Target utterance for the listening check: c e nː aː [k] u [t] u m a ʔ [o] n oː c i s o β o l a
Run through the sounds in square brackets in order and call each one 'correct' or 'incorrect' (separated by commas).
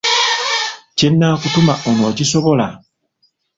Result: correct, correct, correct